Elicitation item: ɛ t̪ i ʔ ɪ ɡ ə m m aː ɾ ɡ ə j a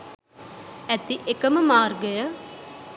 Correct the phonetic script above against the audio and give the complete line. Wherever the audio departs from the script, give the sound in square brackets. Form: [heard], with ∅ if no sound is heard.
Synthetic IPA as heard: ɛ t̪ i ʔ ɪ [k] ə m m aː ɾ ɡ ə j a